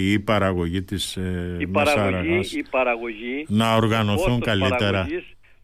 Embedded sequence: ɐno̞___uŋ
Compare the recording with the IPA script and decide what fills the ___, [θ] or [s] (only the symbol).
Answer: θ